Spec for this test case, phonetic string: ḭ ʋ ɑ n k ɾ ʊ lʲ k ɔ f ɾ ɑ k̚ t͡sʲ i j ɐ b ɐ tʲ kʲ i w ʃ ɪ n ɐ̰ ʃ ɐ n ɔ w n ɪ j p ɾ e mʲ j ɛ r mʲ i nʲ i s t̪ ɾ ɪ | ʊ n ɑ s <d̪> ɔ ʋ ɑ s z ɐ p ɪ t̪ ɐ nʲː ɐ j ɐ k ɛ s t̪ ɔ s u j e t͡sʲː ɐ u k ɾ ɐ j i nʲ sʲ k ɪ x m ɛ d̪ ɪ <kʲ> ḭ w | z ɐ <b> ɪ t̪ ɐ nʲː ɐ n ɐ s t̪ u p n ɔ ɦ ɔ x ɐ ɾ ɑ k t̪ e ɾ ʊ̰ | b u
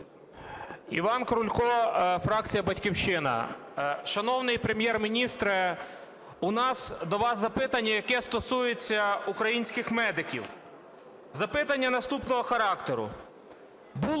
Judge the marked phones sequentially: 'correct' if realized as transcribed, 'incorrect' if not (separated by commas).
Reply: correct, correct, incorrect